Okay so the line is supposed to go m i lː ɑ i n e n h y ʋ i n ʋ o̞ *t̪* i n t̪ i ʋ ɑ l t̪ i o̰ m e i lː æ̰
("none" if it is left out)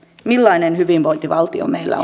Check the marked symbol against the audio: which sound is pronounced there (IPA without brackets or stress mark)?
none